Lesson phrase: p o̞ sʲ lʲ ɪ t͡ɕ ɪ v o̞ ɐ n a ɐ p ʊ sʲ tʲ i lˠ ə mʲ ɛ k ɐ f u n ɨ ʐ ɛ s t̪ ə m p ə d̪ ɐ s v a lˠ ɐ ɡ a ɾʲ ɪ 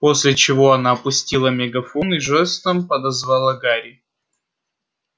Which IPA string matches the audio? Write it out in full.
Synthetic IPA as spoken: p o̞ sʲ lʲ ɪ t͡ɕ ɪ v o̞ ɐ n a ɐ p ʊ sʲ tʲ i lˠ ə mʲ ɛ ɡ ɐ f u n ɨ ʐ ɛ s t̪ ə m p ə d̪ ɐ z v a lˠ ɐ ɡ a ɾʲ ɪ